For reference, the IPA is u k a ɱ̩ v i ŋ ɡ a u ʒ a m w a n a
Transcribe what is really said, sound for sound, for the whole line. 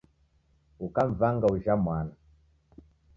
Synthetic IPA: u k a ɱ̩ v a ŋ ɡ a u ʒ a m w a n a